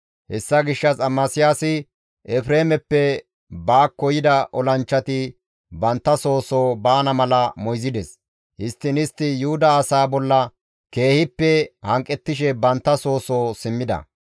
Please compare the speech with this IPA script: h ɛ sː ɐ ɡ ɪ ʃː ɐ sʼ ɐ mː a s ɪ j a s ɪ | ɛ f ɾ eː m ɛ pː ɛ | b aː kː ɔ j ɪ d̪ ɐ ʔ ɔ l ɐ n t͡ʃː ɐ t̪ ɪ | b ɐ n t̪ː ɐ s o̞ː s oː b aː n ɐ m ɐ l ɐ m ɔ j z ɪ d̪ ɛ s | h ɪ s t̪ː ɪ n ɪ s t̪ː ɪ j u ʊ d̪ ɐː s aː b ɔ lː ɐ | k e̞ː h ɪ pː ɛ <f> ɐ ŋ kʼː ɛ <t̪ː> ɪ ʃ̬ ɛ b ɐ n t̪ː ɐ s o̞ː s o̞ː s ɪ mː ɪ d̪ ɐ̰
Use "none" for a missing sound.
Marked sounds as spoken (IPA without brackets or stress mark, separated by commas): h, t̪ː